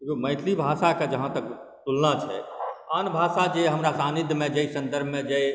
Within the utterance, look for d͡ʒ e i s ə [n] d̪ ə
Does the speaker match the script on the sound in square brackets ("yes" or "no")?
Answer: yes